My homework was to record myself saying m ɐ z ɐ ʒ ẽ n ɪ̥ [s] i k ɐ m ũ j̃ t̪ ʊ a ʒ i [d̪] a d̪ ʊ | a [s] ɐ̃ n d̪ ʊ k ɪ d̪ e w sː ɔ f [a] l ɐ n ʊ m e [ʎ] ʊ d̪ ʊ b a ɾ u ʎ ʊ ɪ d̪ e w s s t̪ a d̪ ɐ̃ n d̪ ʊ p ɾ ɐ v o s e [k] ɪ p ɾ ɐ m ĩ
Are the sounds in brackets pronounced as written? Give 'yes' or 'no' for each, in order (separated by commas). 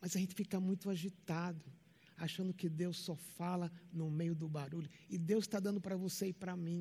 no, no, no, yes, no, no